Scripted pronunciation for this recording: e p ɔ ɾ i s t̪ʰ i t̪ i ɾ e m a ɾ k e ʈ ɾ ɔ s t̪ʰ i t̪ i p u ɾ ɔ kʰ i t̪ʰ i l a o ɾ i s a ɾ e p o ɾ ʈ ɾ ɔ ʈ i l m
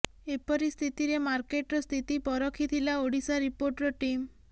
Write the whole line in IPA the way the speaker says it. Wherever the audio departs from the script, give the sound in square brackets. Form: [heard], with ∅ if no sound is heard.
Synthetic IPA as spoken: e p ɔ ɾ i s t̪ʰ i t̪ i ɾ e m a ɾ k e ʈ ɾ ɔ s t̪ʰ i t̪ i p [ɔ] ɾ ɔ kʰ i t̪ʰ i l a o [ɽ] i s a ɾ [i] p o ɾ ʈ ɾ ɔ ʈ i [∅] m